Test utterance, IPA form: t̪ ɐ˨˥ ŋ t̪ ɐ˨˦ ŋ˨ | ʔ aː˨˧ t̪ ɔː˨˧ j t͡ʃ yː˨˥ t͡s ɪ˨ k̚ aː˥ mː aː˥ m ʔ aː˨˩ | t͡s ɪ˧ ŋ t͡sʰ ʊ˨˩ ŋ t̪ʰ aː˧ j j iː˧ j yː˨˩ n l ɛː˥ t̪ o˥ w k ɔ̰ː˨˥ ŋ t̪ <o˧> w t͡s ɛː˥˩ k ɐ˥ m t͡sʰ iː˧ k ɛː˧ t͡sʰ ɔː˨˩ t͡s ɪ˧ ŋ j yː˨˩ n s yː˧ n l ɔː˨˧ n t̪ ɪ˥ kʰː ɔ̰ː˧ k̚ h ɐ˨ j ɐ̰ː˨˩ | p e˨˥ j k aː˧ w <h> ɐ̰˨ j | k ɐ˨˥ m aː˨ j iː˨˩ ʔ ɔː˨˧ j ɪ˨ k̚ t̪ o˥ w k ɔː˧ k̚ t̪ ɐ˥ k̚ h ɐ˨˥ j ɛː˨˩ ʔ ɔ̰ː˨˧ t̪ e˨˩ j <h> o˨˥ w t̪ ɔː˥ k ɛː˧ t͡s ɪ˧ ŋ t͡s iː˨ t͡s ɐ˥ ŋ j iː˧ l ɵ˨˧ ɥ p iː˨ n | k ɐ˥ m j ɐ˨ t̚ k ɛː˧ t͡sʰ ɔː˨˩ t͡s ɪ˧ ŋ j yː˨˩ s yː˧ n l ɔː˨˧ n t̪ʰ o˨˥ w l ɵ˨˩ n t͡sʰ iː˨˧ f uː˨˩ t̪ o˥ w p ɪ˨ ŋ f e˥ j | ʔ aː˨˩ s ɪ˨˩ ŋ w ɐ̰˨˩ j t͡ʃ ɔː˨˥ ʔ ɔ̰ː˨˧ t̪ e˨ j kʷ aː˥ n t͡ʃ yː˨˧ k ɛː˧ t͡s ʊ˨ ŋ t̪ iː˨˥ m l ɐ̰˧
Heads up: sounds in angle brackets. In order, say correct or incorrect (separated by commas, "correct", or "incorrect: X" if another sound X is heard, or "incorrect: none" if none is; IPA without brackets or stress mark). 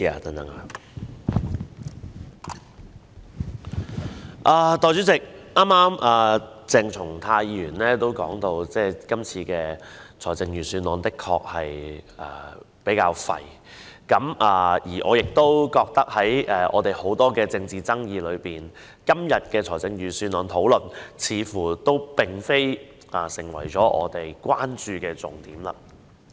correct, incorrect: f, correct